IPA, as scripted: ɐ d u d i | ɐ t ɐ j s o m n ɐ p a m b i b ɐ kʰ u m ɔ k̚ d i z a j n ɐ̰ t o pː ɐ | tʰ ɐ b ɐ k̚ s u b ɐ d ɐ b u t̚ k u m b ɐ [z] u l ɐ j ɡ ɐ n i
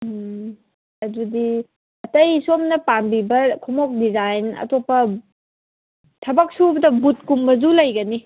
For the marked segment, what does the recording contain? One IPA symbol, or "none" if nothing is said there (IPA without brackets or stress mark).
z